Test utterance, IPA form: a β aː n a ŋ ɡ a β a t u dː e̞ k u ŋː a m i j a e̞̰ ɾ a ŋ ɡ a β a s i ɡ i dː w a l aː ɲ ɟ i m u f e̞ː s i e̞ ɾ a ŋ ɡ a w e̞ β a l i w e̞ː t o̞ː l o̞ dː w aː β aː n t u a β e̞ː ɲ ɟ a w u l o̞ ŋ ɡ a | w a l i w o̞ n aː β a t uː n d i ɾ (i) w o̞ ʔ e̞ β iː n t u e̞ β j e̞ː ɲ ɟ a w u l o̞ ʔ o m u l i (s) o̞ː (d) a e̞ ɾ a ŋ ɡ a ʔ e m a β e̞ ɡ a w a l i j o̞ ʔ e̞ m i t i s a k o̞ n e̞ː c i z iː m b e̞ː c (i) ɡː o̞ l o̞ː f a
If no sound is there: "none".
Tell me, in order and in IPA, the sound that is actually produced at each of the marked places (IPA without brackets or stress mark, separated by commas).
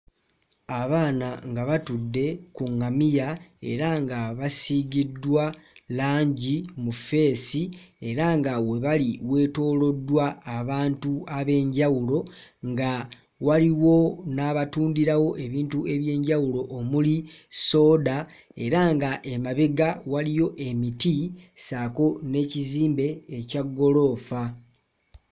a, s, d, a